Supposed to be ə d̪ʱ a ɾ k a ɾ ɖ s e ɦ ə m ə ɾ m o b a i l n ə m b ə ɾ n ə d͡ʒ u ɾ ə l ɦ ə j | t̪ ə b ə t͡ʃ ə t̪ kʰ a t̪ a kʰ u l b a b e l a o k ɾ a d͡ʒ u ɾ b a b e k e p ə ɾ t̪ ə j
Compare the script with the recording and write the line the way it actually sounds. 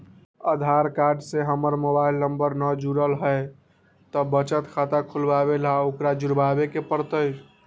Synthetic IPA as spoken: ə d̪ʱ a ɾ k a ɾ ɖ s e ɦ ə m ə ɾ m o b a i l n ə m b ə ɾ n ə d͡ʒ u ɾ ə l ɦ ə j | t̪ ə b ə t͡ʃ ə t̪ kʰ a t̪ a kʰ u l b a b e l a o k ɾ a d͡ʒ u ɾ b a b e k e p ə ɾ t̪ ə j